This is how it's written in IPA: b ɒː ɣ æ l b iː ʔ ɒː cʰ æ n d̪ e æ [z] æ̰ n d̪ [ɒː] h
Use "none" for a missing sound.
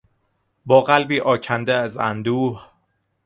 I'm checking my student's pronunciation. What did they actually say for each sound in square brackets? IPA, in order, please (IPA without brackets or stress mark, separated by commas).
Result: z, uː